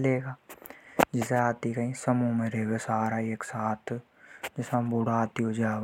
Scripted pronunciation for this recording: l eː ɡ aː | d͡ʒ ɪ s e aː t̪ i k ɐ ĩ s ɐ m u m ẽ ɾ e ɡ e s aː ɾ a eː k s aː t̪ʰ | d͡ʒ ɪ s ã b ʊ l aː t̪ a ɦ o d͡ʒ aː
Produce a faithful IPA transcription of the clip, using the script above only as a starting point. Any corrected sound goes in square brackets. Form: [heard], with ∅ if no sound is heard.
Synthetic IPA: l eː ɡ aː | d͡ʒ ɪ s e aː t̪ i k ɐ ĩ s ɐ m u m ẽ ɾ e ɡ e s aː ɾ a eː k s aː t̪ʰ | d͡ʒ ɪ s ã b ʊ [ɽ] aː t̪ [i] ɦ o d͡ʒ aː